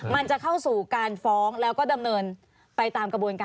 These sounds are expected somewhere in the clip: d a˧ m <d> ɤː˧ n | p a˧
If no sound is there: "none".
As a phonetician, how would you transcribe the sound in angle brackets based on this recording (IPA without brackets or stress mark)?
n